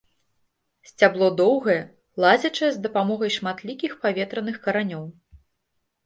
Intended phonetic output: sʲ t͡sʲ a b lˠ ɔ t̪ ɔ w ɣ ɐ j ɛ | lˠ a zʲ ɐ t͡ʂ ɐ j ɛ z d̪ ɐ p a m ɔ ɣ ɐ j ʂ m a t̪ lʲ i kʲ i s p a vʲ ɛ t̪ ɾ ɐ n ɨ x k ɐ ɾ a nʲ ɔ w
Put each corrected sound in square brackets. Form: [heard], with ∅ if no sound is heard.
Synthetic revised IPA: sʲ t͡sʲ a b lˠ ɔ [d̪] ɔ w ɣ ɐ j ɛ | lˠ a zʲ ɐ t͡ʂ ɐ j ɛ z d̪ ɐ p a m ɔ ɣ ɐ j ʂ m a t̪ lʲ i kʲ i [x] p a vʲ ɛ t̪ ɾ ɐ n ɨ x k ɐ ɾ a nʲ ɔ w